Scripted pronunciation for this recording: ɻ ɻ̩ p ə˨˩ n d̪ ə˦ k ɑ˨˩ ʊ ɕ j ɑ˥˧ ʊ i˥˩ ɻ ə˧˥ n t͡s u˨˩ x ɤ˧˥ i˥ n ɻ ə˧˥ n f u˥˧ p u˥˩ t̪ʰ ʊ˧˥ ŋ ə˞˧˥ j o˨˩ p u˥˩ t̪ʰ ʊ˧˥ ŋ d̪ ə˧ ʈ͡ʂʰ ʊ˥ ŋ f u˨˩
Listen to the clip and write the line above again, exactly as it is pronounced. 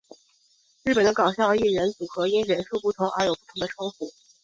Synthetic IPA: ɻ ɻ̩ p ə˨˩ n d̪ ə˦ k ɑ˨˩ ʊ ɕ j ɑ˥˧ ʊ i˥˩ ɻ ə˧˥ n t͡s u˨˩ x ɤ˧˥ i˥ n ɻ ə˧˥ n ʂ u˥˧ p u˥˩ t̪ʰ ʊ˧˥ ŋ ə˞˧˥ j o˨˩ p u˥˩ t̪ʰ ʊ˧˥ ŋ d̪ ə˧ ʈ͡ʂʰ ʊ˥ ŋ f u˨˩